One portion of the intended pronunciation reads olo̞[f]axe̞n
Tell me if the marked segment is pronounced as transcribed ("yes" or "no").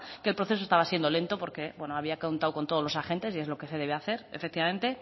no